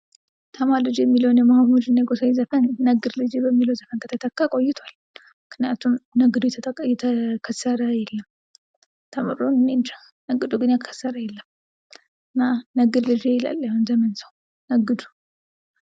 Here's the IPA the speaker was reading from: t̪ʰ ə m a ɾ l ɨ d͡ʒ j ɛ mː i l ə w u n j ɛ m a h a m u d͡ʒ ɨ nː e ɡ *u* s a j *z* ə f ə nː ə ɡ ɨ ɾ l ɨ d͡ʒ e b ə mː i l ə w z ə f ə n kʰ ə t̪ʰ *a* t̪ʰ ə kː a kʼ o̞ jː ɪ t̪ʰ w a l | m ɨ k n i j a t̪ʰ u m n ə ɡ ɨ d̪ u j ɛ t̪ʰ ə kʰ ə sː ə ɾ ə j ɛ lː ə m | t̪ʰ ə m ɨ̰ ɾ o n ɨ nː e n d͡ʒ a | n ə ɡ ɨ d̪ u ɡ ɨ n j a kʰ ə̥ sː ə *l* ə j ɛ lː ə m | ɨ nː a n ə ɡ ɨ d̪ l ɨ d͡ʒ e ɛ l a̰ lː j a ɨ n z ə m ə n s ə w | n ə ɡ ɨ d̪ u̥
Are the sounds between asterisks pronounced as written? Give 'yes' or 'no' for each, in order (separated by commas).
no, yes, no, no